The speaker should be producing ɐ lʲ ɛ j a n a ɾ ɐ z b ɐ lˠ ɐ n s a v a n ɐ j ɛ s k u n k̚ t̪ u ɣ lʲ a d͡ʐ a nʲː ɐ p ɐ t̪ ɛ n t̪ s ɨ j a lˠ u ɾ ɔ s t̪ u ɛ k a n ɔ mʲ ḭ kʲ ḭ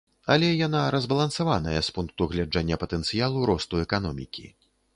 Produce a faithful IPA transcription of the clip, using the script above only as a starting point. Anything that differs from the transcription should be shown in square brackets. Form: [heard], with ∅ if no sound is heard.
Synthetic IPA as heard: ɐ lʲ ɛ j a n a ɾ ɐ z b ɐ lˠ ɐ n s a v a n ɐ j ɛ s [p] u n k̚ t̪ u ɣ lʲ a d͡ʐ a nʲː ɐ p ɐ t̪ ɛ n t̪ s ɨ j a lˠ u ɾ ɔ s t̪ u ɛ k a n ɔ mʲ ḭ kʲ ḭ